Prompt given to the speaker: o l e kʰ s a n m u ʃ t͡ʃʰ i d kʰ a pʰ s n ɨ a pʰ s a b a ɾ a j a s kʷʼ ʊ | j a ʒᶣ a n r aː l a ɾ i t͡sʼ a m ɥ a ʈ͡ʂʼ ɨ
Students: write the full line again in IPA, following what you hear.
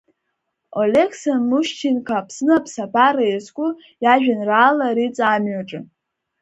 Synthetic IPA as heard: o l e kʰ s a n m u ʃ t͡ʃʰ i n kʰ a pʰ s n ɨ a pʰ s a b a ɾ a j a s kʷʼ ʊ | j a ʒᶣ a n r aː l a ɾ i t͡sʼ a m ɥ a ʈ͡ʂʼ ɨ